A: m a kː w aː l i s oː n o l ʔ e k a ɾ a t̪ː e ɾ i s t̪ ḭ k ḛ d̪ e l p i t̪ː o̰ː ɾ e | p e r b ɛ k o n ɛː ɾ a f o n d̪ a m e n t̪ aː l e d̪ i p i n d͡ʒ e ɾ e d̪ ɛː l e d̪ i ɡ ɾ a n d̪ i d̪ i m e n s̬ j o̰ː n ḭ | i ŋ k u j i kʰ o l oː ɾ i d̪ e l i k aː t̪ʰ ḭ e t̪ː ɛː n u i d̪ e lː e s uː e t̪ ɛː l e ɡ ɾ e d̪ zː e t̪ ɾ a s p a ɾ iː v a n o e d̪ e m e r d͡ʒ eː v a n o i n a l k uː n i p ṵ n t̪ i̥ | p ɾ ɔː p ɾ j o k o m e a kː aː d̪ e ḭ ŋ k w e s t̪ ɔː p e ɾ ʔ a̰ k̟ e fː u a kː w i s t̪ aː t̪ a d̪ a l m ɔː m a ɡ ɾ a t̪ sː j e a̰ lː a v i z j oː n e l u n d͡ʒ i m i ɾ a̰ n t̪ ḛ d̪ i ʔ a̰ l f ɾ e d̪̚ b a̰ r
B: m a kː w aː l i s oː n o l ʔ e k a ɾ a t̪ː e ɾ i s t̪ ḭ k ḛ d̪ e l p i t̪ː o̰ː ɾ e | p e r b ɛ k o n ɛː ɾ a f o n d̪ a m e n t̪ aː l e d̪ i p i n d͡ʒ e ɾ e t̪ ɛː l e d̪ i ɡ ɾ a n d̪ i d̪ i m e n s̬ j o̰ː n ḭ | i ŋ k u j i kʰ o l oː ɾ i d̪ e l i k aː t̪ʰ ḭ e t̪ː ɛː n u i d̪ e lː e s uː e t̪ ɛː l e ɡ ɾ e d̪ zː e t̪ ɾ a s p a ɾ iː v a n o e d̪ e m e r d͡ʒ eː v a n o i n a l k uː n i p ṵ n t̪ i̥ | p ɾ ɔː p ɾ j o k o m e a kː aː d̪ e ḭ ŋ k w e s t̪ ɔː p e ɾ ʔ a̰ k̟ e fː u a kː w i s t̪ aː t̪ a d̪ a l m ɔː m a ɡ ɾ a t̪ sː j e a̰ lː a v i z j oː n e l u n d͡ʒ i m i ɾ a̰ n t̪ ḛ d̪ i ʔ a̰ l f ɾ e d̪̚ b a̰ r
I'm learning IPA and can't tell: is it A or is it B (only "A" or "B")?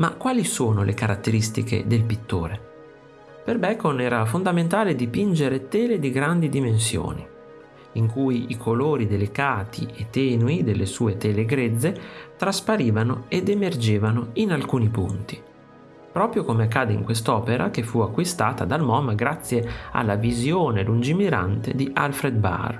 B